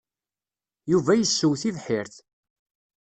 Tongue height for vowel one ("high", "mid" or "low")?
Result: high